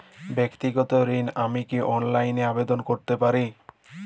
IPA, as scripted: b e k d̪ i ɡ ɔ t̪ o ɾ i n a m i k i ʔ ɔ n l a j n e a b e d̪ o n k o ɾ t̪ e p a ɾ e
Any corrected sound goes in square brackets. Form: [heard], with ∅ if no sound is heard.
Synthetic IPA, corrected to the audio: b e k [t̪] i ɡ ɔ t̪ o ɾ i n a m i k i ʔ ɔ n l a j n e a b e d̪ o n k o ɾ t̪ e p a ɾ [i]

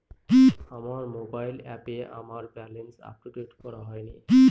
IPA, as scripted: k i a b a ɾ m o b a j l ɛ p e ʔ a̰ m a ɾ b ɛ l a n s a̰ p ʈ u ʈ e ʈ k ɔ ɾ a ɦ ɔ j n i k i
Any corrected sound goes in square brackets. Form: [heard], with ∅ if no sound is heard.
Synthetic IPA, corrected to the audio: k i a [m] a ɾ m o b a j l ɛ p e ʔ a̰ m a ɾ b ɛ l [e] n s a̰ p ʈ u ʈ e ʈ k ɔ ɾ a ɦ ɔ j n i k i

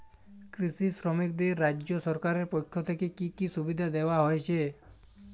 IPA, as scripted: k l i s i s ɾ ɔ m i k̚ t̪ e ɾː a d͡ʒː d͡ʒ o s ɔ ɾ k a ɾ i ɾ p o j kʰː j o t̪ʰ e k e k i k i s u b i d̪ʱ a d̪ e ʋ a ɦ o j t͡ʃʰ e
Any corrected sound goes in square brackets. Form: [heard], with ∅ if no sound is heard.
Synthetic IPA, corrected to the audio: k [ɾ] i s i s ɾ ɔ m i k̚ [d̪] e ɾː a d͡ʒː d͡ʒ o s ɔ ɾ k a ɾ [e] ɾ p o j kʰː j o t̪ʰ e k e k i k i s u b i d̪ʱ a d̪ e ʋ a ɦ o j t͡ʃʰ e

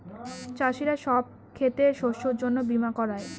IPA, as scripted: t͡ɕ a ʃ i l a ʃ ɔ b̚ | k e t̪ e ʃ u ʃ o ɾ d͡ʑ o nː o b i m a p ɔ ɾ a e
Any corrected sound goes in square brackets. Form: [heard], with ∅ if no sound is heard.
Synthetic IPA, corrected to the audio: t͡ɕ a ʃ i [ɾ] a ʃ ɔ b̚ | [kʰ] e t̪ e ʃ [o] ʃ o ɾ d͡ʑ o nː o b i m a [k] ɔ ɾ a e

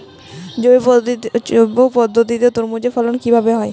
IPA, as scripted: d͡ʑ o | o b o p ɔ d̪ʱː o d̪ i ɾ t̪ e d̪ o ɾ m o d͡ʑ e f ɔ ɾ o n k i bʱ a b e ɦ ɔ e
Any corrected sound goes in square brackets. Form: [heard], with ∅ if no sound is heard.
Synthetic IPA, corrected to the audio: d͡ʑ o | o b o p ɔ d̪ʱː o [t̪] i [∅] t̪ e [t̪] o ɾ m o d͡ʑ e f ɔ [l] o n k i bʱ a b e ɦ ɔ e

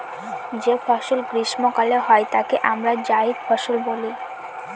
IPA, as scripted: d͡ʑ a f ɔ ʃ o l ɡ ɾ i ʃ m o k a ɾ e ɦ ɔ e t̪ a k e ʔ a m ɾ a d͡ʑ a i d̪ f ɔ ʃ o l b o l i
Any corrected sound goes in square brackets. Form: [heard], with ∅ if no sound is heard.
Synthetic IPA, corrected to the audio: d͡ʑ [e] f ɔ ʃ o l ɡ ɾ i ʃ m o k a [l] e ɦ ɔ e t̪ a k e ʔ a m ɾ a d͡ʑ a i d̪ f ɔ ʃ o l b o l i

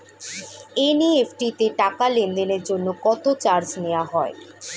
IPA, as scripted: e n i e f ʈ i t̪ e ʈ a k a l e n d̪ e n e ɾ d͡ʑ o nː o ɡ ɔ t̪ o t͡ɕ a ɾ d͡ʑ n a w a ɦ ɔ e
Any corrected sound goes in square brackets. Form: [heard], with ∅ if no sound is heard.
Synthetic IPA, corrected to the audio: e n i e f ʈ i t̪ e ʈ a k a l e n d̪ e n e ɾ d͡ʑ o nː o [k] ɔ t̪ o t͡ɕ a ɾ d͡ʑ n [e] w a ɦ ɔ e

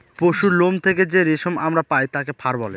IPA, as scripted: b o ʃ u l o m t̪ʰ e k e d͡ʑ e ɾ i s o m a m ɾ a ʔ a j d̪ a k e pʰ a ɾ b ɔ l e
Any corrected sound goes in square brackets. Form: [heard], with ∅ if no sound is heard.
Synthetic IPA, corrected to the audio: [p] o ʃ u l o m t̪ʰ e k e d͡ʑ e ɾ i [ʃ] o m a m ɾ a [p] a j [t̪] a k e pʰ a ɾ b ɔ l e

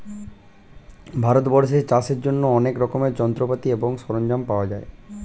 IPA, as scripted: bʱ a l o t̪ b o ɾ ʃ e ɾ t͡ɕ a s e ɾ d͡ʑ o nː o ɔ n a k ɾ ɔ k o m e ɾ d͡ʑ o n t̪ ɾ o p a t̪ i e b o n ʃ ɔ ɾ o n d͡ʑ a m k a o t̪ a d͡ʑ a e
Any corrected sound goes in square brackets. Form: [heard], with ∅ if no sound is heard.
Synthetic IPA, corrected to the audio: bʱ a [ɾ] o t̪ b [ɔ] ɾ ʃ e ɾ t͡ɕ a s e ɾ d͡ʑ o nː o ɔ n [e] k ɾ ɔ k o m e ɾ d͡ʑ [ɔ] n t̪ ɾ o p a t̪ i e b o [ŋ] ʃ ɔ ɾ o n d͡ʑ a m [p] a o [∅] a d͡ʑ a e

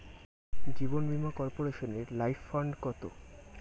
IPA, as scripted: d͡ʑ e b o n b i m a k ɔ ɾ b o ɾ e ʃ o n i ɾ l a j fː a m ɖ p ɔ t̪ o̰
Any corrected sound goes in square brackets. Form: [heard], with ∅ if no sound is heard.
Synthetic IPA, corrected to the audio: d͡ʑ [i] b o n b i m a k ɔ ɾ [p] o ɾ e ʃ o n [e] ɾ l a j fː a [ɳ] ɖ [k] ɔ t̪ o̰

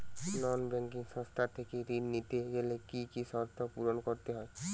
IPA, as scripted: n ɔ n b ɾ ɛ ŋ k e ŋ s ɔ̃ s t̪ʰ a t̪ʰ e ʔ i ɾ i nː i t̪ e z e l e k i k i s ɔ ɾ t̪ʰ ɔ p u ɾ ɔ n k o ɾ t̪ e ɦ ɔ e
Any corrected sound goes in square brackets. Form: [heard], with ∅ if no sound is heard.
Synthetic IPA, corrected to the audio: n ɔ n b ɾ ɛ ŋ k [i] ŋ s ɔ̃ s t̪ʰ a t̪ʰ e [k] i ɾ i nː i t̪ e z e l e k i k i s ɔ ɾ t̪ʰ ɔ p u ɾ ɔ n k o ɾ t̪ e ɦ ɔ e

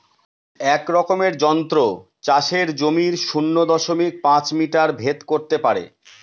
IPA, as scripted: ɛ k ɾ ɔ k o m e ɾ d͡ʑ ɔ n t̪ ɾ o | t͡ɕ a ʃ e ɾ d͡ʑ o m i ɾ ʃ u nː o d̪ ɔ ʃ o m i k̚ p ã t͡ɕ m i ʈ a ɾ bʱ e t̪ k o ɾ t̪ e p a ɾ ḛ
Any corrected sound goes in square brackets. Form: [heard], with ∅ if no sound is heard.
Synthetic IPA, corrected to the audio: ɛ k ɾ ɔ k o m e ɾ d͡ʑ ɔ n t̪ ɾ o | t͡ɕ a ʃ e ɾ d͡ʑ o m i ɾ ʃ u nː o d̪ ɔ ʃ o m i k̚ p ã t͡ɕ m i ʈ a ɾ bʱ e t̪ k o ɾ t̪ e p a ɾ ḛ

